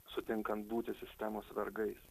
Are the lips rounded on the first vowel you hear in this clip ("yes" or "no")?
yes